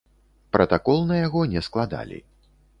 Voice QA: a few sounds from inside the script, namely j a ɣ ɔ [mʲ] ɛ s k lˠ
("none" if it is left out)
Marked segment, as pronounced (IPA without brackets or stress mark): nʲ